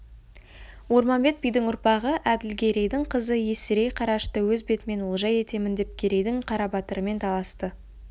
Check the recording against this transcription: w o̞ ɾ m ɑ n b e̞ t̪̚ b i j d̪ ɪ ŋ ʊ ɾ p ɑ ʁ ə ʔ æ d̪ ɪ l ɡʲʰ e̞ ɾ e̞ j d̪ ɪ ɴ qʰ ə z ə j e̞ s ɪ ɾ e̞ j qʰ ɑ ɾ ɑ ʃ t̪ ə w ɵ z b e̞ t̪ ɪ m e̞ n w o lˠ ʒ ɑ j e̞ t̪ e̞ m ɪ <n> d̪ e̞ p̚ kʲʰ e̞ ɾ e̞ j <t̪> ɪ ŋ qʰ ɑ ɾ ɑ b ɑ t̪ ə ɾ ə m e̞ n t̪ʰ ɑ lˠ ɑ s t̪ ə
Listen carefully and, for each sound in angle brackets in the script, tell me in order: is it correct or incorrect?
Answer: correct, incorrect: d̪

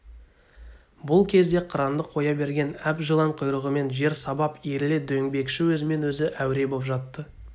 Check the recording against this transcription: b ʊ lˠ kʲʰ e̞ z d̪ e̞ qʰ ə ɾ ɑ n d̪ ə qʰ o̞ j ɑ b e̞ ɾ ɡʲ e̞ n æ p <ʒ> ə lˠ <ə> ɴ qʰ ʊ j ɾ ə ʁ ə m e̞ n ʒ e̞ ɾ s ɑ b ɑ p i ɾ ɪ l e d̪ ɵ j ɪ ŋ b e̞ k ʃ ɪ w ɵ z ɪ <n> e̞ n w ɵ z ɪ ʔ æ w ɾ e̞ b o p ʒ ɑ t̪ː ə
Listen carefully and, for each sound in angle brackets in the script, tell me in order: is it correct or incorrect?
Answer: correct, incorrect: ɑ, incorrect: m

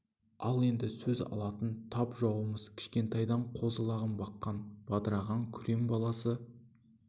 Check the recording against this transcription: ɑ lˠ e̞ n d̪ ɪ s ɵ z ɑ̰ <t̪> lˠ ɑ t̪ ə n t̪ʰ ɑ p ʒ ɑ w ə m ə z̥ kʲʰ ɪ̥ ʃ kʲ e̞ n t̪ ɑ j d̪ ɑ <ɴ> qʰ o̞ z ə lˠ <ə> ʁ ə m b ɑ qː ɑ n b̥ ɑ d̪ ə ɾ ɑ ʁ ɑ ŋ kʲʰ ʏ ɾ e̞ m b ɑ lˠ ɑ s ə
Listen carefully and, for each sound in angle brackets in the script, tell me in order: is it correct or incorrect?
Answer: incorrect: none, correct, incorrect: ɑ

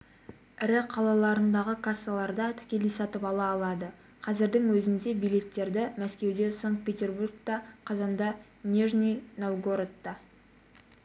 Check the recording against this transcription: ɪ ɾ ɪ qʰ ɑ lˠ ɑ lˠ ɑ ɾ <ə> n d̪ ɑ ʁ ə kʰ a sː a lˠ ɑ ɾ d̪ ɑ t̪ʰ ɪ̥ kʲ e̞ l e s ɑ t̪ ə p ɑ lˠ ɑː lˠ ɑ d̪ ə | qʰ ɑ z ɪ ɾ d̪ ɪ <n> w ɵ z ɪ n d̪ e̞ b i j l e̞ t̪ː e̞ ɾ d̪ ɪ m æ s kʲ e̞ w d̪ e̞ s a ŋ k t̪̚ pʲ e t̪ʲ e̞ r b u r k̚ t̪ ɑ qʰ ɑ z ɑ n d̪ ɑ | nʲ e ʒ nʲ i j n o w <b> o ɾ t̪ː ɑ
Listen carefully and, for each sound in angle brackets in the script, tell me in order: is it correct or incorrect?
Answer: correct, incorrect: ŋ, incorrect: ɡ

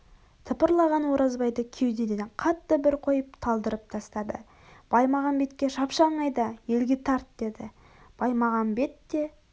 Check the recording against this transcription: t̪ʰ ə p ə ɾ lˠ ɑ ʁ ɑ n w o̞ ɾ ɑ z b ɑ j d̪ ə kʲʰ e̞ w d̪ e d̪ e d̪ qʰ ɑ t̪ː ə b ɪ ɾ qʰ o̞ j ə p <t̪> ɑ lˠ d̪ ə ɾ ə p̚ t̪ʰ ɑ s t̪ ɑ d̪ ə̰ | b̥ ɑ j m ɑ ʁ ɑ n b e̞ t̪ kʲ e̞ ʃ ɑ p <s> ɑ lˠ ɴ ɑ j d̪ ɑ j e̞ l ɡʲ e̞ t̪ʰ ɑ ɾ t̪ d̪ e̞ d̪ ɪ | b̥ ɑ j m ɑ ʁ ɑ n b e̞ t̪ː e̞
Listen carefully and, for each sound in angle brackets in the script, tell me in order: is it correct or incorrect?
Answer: incorrect: t̪ʰ, incorrect: ʃ

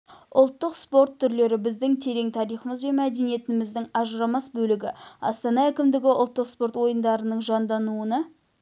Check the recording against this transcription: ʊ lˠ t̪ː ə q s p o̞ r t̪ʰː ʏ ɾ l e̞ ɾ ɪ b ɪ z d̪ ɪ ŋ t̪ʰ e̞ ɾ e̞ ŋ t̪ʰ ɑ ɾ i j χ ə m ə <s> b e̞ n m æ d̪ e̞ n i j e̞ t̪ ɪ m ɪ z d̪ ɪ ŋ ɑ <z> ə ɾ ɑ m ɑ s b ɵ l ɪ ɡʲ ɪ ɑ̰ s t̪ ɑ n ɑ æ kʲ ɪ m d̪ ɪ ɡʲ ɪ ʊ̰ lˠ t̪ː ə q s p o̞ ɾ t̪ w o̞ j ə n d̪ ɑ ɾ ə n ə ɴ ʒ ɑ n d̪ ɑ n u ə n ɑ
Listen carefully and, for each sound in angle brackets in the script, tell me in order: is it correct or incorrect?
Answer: incorrect: z, incorrect: ʒ

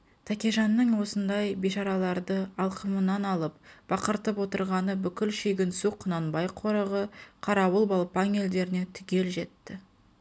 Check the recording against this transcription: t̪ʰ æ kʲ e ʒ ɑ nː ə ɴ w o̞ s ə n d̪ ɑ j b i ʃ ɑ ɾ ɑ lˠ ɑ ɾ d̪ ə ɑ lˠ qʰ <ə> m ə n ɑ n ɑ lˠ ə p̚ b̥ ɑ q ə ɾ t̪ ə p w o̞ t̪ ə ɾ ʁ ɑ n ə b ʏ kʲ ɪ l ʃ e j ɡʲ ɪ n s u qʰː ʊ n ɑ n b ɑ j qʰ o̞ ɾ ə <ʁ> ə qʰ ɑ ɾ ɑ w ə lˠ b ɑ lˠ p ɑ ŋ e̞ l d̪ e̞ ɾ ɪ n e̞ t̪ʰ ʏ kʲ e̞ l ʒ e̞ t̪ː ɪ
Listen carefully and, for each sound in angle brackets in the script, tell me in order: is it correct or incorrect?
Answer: correct, correct

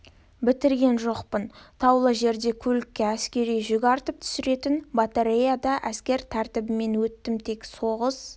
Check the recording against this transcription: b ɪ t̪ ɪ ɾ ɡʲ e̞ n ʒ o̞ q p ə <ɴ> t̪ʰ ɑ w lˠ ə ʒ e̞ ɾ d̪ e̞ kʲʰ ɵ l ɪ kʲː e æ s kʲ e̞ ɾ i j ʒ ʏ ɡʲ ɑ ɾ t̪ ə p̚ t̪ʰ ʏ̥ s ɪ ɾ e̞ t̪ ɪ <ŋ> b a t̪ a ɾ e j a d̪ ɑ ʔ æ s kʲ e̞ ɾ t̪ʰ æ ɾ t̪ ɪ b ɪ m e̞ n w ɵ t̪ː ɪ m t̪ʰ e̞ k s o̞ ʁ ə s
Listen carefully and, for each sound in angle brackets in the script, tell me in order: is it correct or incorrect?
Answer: incorrect: n, incorrect: n

